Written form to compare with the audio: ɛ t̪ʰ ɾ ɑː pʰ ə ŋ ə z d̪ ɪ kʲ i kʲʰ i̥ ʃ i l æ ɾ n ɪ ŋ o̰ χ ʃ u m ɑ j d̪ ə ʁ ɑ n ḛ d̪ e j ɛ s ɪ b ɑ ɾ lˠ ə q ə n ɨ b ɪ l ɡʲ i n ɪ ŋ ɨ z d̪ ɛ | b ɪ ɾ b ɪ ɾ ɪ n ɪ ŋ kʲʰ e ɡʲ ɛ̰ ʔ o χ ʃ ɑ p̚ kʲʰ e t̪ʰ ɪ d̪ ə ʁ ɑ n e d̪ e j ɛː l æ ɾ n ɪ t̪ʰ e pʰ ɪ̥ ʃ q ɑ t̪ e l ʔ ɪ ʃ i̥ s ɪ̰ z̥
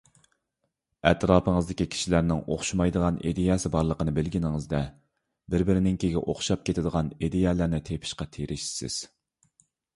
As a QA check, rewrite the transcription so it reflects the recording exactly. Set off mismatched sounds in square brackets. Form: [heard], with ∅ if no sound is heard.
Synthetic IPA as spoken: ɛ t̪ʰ ɾ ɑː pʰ ə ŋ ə z d̪ ɪ kʲ i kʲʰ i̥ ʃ i l æ ɾ n ɪ ŋ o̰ χ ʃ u m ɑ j d̪ ə ʁ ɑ n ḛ d̪ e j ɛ s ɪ b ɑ ɾ lˠ ə q ə n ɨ b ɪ l ɡʲ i n ɪ ŋ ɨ z d̪ ɛ | b ɪ ɾ b ɪ ɾ ɪ n ɪ ŋ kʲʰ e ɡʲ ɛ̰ ʔ o χ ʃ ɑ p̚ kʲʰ e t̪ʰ ɪ d̪ ə ʁ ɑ n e d̪ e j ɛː l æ ɾ n ɪ t̪ʰ e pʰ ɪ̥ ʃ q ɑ [t̪ʰ] e [ɾ] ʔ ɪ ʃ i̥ s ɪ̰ z̥